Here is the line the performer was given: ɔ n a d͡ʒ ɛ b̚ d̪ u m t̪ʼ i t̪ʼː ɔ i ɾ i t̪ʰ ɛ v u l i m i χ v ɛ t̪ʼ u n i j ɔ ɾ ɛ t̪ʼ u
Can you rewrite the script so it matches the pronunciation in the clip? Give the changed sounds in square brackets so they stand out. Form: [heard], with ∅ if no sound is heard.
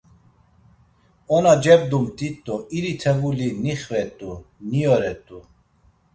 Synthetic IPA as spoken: ɔ n a d͡ʒ ɛ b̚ d̪ u m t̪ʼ i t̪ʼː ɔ i ɾ i t̪ʰ ɛ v u l i [n] i χ v ɛ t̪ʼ u n i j ɔ ɾ ɛ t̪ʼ u